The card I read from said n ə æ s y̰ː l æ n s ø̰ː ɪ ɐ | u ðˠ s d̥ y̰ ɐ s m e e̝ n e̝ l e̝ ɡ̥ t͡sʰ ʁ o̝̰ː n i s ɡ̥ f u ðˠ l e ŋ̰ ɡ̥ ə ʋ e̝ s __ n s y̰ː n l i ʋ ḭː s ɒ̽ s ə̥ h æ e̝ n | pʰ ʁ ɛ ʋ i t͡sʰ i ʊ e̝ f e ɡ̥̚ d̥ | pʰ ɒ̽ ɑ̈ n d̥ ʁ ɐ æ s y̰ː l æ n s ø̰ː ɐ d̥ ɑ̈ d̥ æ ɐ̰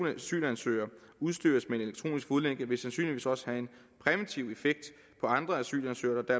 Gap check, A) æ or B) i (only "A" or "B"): A